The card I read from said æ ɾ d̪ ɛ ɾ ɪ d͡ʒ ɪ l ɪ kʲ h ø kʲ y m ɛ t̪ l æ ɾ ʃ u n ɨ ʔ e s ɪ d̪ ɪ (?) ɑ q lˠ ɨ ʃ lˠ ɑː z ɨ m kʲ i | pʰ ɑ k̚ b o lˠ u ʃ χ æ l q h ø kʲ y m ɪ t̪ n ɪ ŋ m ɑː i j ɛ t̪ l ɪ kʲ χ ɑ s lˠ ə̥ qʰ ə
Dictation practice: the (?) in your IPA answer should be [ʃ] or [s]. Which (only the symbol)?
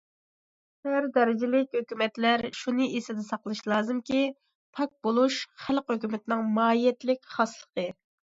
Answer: s